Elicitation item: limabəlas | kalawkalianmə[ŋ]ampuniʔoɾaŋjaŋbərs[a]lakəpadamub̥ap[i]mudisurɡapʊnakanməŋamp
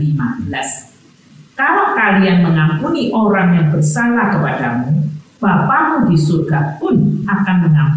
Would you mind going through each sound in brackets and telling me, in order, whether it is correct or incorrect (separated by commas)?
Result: correct, correct, incorrect